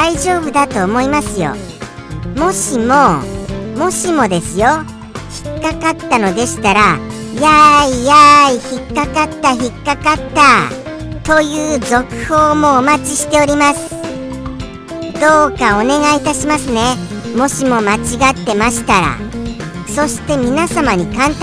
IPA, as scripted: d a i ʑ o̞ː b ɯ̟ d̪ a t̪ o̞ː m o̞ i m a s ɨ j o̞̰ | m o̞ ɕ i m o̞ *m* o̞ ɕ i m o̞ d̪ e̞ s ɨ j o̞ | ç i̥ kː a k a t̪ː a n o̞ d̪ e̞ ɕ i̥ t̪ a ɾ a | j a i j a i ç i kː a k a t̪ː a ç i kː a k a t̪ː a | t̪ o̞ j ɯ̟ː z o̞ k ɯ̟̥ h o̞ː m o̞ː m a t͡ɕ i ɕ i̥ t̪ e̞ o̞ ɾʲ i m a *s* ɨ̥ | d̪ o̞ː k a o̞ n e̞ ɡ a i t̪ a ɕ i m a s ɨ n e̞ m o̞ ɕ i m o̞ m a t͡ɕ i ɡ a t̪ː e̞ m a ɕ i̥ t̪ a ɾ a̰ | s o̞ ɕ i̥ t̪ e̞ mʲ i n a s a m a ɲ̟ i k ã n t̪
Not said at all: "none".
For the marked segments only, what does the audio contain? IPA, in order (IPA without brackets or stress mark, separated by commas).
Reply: m, s